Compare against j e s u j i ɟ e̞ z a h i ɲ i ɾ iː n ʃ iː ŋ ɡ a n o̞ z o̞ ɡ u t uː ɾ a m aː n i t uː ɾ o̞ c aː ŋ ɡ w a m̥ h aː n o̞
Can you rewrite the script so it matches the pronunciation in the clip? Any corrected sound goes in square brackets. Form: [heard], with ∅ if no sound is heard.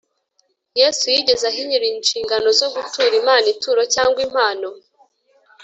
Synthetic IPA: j e s u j i ɟ e̞ z a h i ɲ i ɾ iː n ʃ iː ŋ ɡ a n o̞ z o̞ ɡ u t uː ɾ [i] m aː n i t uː ɾ o̞ c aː ŋ ɡ w [i] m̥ h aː n o̞

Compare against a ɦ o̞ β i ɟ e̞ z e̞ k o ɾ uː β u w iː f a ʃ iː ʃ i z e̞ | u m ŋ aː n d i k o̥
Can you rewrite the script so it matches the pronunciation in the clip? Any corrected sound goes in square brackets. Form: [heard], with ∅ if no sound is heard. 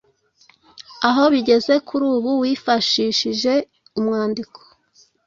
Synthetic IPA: a ɦ o̞ β i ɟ e̞ z e̞ k [u] ɾ uː β u w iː f a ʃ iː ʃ i [ʒ] e̞ | u m ŋ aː n d i k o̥

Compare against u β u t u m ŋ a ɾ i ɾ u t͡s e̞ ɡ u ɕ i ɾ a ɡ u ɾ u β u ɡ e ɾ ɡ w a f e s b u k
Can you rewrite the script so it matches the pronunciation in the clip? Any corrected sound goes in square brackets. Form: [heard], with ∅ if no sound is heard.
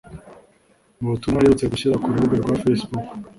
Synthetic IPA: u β u t u m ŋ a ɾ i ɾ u t͡s e̞ ɡ u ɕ i ɾ a [k] u ɾ u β u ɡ e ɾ ɡ w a f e s b u k

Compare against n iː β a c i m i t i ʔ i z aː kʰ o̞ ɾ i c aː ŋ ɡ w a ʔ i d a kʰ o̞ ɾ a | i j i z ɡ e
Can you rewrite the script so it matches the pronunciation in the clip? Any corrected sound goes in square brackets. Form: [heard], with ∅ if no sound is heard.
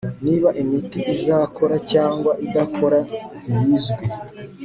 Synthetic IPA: n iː β a [ʔ] i m i t i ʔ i z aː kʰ o̞ ɾ [a] c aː ŋ ɡ w a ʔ i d a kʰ o̞ ɾ a | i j i z ɡ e

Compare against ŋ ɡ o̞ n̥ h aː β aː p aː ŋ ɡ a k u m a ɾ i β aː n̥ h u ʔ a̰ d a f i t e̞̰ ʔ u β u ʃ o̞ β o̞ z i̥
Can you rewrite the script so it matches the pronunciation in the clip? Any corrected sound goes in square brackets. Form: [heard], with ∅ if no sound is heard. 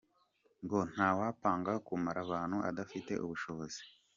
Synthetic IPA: ŋ ɡ o̞ n̥ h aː [w] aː p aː ŋ ɡ a k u m a ɾ [a] β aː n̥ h u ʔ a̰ d a f i t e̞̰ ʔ u β u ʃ o̞ β o̞ z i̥

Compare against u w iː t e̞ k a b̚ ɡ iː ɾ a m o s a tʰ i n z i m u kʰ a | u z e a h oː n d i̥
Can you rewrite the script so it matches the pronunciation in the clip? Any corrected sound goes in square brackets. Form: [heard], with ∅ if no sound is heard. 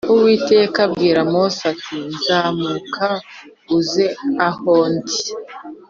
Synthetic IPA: u w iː t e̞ k a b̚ ɡ iː ɾ a m o s a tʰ i n z [a] m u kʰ a | u z e a h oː n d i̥

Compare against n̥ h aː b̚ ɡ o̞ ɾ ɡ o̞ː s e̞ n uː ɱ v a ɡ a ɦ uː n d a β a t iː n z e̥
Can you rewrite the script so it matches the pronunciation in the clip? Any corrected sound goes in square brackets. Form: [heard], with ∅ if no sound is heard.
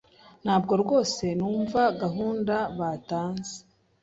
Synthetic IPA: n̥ h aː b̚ ɡ o̞ ɾ ɡ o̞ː s e̞ n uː ɱ v a ɡ a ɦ uː n d a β a t [aː] n z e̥

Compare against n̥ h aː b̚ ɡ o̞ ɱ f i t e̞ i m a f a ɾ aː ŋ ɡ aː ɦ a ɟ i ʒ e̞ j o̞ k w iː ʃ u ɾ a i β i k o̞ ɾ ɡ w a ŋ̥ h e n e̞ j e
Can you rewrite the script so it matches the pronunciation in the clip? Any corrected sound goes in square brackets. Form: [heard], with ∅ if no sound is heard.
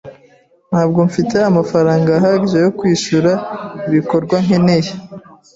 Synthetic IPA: n̥ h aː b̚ ɡ o̞ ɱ f i t e̞ [a] m a f a ɾ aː ŋ ɡ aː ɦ a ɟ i ʒ e̞ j o̞ k w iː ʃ u ɾ a i β i k o̞ ɾ ɡ w a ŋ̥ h e n e̞ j e

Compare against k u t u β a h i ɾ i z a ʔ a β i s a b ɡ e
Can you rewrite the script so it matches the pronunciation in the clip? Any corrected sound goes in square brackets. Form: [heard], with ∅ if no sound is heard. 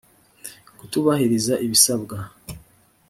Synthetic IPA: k u t u β a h i ɾ i z a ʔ [i] β i s a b ɡ [a]

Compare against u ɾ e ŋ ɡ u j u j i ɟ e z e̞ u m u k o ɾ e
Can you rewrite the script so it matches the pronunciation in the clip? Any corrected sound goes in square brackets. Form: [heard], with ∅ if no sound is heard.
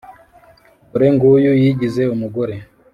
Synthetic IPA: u ɾ e ŋ ɡ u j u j i ɟ [i] z e̞ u m u [ɡ] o ɾ e

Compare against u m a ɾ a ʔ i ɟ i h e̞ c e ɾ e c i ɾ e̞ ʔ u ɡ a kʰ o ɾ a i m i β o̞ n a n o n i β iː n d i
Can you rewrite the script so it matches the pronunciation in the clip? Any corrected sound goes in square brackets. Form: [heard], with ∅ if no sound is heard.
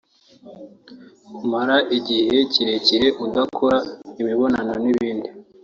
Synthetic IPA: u m a ɾ a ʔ i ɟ i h e̞ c [i] ɾ e c i ɾ e̞ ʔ u [d] a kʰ o ɾ a i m i β o̞ n a n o n i β iː n d i

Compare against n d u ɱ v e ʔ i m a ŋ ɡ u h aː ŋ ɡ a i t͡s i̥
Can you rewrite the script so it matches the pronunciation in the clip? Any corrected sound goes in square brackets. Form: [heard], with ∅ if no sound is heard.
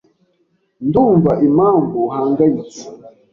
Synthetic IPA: n d u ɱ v [a] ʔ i m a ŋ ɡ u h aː ŋ ɡ a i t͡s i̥

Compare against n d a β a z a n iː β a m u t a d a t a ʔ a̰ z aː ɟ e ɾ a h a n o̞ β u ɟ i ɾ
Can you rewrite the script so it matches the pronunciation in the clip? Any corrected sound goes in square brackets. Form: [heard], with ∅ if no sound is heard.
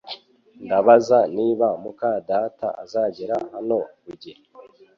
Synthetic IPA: n d a β a z a n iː β a m u [k] a d a t a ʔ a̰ z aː ɟ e ɾ a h a n o̞ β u ɟ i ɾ

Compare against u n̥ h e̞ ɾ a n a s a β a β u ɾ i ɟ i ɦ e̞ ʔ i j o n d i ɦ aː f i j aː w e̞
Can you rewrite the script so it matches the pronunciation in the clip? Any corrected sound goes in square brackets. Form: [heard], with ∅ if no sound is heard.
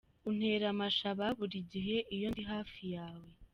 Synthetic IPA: u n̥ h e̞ ɾ a [m] a [ʃ] a β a β u ɾ i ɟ i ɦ e̞ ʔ i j o n d i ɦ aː f i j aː w e̞

